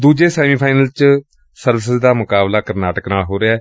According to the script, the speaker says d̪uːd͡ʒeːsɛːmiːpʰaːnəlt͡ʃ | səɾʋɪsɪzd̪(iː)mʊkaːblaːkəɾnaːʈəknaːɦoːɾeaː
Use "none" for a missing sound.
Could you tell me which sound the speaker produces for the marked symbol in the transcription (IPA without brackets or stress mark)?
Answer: aː